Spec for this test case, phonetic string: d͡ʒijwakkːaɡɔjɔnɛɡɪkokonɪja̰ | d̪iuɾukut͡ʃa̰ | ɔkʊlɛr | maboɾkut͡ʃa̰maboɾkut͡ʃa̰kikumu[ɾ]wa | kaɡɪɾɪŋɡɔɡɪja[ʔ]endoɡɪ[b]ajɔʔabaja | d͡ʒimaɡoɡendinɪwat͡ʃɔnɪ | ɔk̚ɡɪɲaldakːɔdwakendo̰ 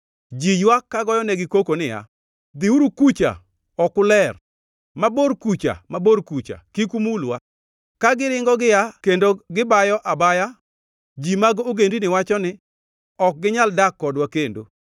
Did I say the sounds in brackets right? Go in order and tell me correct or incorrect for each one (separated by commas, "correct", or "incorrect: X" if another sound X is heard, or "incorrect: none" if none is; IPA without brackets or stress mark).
incorrect: l, incorrect: k, correct